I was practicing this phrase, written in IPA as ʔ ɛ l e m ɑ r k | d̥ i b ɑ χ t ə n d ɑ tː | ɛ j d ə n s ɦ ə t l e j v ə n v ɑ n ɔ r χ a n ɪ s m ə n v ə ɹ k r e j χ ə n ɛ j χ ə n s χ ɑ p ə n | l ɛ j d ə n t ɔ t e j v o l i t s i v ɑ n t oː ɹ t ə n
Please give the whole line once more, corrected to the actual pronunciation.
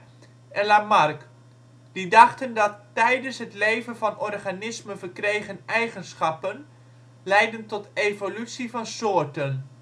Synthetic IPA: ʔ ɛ l a m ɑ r k | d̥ i d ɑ χ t ə n d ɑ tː | ɛ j d ə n s ɦ ə t l e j v ə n v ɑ n ɔ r χ a n ɪ s m ə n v ə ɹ k r e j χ ə n ɛ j χ ə n s χ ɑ p ə n | l ɛ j d ə n t ɔ t e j v o l y t s i v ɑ n s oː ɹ t ə n